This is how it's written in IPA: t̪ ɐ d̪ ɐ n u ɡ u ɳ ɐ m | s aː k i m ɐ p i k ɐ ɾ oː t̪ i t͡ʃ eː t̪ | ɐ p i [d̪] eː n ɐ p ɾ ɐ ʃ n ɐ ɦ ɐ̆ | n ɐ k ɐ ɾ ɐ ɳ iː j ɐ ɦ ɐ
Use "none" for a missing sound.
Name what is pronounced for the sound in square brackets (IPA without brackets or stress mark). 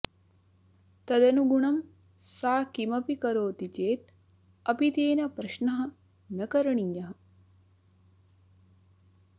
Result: t̪